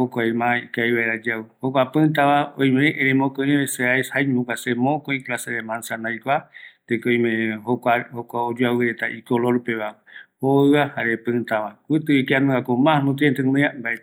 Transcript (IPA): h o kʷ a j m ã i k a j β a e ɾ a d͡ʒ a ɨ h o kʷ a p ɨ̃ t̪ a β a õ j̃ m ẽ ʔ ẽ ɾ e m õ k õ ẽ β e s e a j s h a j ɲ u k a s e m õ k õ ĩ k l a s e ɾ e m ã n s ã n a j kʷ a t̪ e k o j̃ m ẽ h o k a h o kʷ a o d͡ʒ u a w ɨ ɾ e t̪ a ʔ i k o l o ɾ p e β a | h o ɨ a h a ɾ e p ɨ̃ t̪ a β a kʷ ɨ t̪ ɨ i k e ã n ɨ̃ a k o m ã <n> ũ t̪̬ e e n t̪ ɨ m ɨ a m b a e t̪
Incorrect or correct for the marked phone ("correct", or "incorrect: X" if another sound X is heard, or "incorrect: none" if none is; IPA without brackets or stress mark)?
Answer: correct